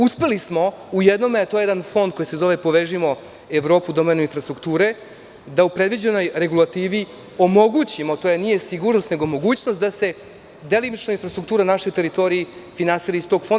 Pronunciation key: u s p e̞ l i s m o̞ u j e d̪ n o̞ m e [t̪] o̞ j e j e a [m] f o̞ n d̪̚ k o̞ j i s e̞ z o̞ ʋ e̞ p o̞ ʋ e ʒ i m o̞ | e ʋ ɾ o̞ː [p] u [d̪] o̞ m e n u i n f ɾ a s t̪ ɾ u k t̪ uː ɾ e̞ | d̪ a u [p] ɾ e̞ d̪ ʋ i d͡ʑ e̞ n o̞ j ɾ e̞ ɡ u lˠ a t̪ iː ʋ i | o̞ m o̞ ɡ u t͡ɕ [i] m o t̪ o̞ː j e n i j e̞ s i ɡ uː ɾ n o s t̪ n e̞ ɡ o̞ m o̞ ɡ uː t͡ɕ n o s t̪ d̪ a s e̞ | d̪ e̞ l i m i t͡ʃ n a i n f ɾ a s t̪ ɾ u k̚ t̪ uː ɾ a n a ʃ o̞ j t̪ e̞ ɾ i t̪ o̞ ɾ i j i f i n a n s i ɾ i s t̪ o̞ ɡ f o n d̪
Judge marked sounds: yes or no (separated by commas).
yes, no, yes, yes, yes, yes